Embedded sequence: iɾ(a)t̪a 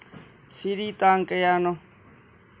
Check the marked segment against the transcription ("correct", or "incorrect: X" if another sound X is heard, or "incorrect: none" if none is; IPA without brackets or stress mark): incorrect: i